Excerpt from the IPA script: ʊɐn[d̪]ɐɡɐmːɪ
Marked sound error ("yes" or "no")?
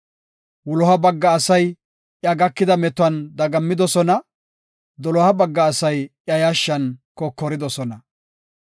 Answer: no